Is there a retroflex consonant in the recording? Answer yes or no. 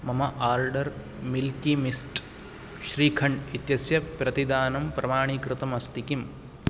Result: yes